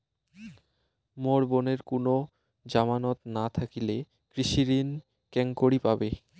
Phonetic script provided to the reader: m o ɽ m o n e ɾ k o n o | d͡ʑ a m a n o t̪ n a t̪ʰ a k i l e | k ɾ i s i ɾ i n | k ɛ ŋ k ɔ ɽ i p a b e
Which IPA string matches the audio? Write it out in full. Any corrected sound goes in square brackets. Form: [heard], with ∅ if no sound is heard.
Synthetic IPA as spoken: m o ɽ [b] o n e ɾ k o n o | d͡ʑ a m a n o t̪ n a t̪ʰ a k i l e | k ɾ i [ʃ] i ɾ i n | k ɛ ŋ k [o] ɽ i p a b e